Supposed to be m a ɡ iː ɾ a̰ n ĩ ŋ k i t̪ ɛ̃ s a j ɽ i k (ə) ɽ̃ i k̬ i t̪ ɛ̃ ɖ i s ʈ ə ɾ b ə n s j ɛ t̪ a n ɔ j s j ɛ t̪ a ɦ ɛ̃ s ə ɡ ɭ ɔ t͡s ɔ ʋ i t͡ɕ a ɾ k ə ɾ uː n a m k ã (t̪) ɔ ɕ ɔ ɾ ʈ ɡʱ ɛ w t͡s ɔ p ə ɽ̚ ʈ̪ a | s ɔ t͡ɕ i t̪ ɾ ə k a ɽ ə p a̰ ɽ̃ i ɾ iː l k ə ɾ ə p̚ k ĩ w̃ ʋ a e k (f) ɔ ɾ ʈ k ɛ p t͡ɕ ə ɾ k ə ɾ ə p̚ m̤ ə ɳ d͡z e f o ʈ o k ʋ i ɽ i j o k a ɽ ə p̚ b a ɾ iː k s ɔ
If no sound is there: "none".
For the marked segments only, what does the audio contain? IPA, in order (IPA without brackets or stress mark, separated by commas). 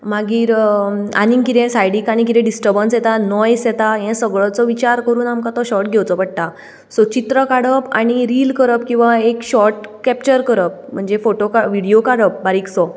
a, t̪, ɕ